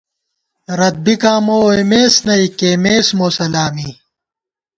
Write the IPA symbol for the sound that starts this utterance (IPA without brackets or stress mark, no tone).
ɾ